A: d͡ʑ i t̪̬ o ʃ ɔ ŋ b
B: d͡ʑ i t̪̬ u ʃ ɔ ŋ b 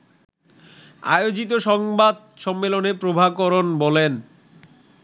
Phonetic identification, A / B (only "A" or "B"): A